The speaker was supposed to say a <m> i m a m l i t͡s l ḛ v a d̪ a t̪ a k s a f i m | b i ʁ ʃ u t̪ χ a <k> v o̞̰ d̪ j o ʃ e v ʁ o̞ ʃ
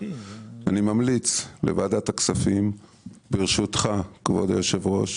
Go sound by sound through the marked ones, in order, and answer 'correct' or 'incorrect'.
incorrect: n, correct

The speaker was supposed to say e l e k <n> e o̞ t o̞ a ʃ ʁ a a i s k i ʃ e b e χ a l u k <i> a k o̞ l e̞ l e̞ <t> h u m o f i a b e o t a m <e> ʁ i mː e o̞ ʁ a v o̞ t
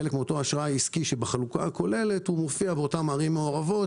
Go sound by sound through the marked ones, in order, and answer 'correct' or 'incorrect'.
incorrect: m, incorrect: a, correct, incorrect: a

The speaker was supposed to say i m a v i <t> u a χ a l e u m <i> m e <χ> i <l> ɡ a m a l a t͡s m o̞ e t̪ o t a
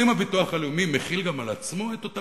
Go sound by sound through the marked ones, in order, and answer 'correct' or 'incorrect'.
correct, correct, correct, correct

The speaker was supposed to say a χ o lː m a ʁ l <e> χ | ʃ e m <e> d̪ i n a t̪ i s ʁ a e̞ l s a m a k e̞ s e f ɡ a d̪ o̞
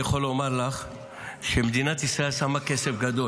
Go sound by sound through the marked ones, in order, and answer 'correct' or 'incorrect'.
incorrect: a, correct

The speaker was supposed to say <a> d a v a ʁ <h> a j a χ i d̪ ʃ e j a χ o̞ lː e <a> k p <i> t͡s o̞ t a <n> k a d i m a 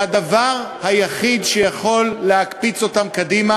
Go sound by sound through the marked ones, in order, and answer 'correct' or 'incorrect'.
correct, correct, correct, correct, incorrect: m

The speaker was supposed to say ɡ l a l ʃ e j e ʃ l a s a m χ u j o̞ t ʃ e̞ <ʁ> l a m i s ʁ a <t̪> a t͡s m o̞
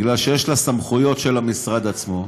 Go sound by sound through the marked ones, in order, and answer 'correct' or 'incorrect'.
incorrect: none, incorrect: d̪

